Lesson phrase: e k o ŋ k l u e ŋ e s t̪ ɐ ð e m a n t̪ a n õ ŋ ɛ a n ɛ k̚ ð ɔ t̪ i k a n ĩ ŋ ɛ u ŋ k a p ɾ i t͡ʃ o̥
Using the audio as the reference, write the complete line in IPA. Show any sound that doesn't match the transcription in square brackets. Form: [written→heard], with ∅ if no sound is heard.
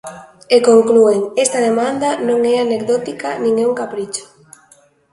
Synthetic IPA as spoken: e k o ŋ k l u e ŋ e s t̪ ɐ ð e m a n [t̪→d̪] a n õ ŋ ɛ a n [ɛ→e] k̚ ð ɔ t̪ i k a n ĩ ŋ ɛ u ŋ k a p ɾ i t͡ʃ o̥